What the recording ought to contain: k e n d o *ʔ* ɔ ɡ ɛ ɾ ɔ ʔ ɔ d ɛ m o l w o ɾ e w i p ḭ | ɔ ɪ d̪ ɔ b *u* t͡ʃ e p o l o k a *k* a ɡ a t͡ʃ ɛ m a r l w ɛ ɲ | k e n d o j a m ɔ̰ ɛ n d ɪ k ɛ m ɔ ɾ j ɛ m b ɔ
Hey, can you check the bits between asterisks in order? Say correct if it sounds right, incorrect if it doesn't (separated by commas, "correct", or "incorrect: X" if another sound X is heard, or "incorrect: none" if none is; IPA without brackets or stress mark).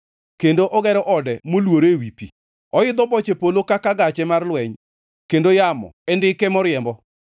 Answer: correct, incorrect: ɔ, correct